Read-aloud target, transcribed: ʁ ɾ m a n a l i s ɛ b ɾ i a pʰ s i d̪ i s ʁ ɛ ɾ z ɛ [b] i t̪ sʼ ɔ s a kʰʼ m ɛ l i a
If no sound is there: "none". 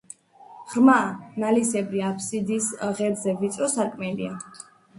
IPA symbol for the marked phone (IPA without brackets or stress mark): v